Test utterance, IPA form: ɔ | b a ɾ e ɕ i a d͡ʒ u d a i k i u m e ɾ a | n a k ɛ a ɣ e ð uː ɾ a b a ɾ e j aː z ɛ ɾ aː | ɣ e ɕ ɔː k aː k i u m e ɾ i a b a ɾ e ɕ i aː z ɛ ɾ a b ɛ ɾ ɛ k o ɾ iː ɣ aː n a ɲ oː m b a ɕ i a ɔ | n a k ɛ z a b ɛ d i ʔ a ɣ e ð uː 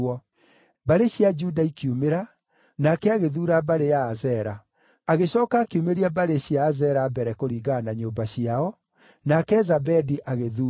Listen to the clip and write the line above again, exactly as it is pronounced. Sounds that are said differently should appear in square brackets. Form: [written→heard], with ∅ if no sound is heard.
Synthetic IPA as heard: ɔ | b a ɾ e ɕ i a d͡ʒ u d a i k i u m e ɾ a | n a k ɛ a ɣ e ð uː ɾ a b a ɾ e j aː z ɛ ɾ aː | ɣ e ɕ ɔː k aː k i u m e ɾ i a b a ɾ e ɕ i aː z ɛ ɾ a b ɛ ɾ ɛ k o ɾ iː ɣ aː n a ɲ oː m b a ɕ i a ɔ | n a k ɛ z a b ɛ d i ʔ a ɣ e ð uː